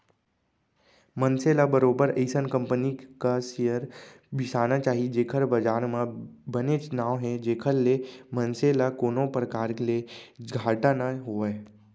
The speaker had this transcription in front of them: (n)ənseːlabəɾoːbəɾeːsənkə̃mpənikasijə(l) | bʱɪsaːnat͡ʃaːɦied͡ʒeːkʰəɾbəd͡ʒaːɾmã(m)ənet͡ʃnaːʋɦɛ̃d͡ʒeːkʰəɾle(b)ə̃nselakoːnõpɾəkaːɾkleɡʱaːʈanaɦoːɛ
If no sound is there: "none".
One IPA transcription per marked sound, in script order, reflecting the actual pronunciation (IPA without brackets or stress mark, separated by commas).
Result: m, ɾ, b, m